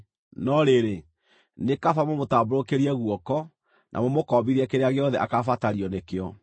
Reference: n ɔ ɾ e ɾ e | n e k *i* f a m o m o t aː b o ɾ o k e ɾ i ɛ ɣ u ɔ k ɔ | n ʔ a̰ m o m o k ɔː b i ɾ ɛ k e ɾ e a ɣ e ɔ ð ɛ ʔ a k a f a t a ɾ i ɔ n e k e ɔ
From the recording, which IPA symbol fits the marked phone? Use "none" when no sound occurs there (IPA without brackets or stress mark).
a